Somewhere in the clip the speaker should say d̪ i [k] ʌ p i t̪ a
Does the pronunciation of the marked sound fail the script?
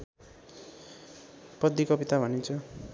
no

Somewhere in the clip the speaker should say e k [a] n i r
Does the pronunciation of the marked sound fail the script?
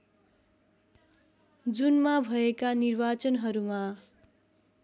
no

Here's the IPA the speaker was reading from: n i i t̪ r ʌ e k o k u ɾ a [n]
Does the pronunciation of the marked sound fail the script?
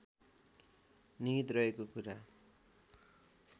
yes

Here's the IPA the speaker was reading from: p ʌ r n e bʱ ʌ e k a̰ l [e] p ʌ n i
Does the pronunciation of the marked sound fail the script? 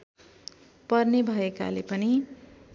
no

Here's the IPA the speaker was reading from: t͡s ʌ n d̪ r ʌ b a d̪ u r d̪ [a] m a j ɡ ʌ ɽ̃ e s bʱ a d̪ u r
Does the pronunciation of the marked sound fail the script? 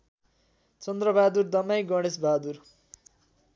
yes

